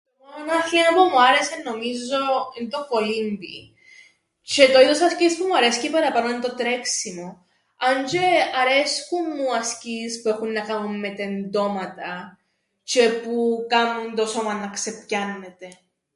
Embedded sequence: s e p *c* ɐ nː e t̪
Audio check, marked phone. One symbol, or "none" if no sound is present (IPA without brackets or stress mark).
c